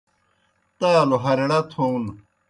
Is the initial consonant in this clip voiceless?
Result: yes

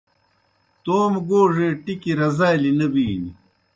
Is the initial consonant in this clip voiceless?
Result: yes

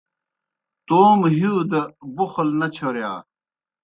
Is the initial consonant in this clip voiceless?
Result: yes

